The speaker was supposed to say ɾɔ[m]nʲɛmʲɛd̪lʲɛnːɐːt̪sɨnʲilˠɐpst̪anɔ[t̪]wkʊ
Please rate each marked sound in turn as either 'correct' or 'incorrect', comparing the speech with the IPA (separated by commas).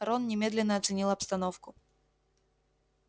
incorrect, incorrect